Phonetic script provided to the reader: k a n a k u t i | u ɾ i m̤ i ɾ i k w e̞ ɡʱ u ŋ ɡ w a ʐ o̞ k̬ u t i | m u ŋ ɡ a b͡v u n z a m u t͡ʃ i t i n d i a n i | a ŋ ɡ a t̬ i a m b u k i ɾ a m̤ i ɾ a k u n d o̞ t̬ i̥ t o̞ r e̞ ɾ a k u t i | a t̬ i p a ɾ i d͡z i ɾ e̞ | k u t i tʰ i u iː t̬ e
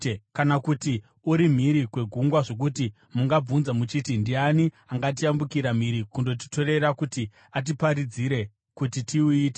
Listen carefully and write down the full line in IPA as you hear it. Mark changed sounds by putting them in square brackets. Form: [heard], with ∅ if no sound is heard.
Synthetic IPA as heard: k a n a k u t i | u ɾ i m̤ i ɾ i k w e̞ ɡʱ u ŋ ɡ w a ʐ o̞ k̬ u t i | m u ŋ ɡ a b͡v u n z a m u t͡ʃ i t i n d i a n i | a ŋ ɡ a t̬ i a m b u k i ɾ a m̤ i ɾ [i] k u n d o̞ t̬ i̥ t o̞ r e̞ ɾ a k u t i | a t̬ i p a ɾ i d͡z i ɾ e̞ | k u t i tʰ i u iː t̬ e